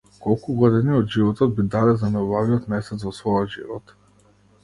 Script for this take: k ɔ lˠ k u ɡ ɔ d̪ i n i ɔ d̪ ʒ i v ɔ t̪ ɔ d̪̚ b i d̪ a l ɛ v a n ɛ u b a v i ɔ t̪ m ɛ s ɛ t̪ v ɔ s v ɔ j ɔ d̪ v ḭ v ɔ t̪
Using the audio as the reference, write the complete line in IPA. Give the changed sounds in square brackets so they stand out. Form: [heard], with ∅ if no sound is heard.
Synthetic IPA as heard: k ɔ lˠ k u ɡ ɔ d̪ i n i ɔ d̪ ʒ i v ɔ t̪ ɔ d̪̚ b i d̪ a l ɛ [z] a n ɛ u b a v i ɔ t̪ m ɛ s ɛ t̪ v ɔ s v ɔ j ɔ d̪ [ʒ] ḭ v ɔ t̪